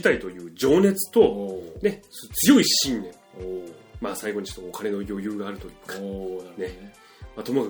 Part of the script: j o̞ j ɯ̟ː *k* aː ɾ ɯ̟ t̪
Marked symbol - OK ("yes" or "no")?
no